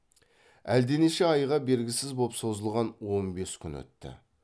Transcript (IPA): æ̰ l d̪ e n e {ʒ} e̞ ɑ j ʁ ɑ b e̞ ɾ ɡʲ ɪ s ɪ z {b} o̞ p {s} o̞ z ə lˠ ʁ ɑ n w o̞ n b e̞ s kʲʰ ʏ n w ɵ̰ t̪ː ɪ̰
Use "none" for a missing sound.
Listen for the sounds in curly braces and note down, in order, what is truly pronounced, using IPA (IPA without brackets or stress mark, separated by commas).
ʃ, b, s